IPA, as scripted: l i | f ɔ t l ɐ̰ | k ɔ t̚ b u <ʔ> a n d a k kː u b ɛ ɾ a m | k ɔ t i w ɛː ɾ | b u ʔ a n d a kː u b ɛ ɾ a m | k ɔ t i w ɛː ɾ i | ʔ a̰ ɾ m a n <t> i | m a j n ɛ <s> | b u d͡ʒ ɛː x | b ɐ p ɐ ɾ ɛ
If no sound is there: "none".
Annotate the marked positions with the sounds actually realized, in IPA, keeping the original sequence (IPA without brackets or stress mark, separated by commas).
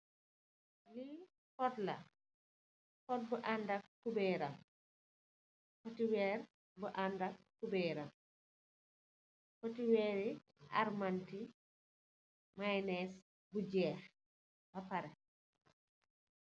ʔ, t, s